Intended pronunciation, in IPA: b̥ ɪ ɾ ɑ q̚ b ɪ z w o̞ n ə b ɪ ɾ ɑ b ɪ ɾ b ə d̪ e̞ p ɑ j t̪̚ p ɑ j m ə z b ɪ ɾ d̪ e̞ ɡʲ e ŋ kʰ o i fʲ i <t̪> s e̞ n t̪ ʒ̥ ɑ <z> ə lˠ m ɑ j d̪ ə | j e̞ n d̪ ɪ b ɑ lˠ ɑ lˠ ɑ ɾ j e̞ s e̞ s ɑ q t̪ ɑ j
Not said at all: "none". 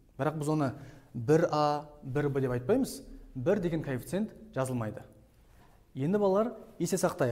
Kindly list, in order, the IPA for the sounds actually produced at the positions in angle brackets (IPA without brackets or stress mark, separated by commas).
t̪, z